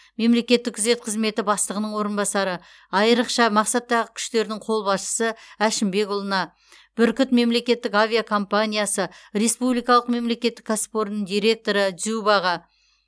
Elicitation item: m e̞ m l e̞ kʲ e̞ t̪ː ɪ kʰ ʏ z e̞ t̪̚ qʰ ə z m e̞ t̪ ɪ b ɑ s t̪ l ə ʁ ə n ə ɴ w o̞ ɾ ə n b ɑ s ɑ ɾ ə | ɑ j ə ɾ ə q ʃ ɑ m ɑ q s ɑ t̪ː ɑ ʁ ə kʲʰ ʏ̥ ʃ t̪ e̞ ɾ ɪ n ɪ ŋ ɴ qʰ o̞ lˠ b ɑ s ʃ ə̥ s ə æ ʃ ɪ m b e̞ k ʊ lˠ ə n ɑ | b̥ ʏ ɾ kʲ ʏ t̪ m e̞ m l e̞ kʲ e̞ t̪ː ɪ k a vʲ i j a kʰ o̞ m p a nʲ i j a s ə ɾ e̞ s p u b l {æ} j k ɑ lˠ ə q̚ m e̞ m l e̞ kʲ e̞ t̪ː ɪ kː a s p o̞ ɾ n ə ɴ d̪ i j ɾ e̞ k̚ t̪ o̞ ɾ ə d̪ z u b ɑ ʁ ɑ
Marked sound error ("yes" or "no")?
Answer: yes